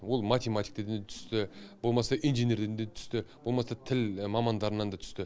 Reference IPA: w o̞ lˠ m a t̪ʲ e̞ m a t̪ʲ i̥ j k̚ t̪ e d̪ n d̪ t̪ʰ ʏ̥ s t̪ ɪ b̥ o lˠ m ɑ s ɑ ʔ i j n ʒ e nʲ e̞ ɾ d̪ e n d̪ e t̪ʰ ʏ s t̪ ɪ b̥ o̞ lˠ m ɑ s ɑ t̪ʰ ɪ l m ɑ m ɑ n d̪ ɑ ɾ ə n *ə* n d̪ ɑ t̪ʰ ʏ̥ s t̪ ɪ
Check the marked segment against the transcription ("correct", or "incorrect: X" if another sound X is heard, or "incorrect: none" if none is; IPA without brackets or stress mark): incorrect: ɑ